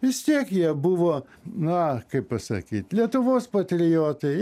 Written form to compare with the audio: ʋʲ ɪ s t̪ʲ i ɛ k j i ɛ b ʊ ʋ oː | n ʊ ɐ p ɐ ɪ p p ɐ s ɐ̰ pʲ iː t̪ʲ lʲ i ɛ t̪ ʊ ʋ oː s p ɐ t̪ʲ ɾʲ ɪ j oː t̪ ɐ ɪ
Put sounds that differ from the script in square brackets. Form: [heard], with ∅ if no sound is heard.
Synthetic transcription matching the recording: ʋʲ ɪ s t̪ʲ i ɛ k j i ɛ b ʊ ʋ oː | n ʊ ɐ [k] ɐ ɪ p p ɐ s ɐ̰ [kʲ] iː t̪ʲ lʲ i ɛ t̪ ʊ ʋ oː s p ɐ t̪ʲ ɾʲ ɪ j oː t̪ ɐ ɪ